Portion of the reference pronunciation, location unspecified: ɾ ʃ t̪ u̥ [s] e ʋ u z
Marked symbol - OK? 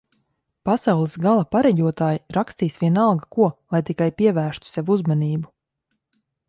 yes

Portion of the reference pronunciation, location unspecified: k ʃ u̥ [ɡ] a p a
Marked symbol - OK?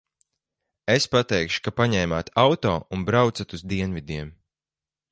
no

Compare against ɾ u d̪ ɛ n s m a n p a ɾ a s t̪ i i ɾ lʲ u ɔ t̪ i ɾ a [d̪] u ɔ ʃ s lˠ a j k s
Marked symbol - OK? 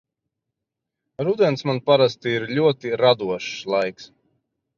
yes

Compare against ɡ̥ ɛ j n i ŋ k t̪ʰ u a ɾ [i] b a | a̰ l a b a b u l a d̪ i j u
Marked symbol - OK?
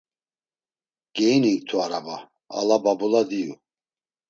no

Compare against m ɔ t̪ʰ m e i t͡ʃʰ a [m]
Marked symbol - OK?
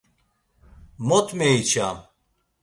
yes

